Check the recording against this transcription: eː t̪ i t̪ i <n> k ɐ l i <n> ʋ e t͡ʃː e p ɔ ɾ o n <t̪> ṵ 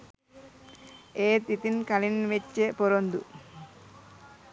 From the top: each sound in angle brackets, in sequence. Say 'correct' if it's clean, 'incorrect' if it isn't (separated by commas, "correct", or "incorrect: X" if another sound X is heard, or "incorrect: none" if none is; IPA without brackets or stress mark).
correct, correct, incorrect: d̪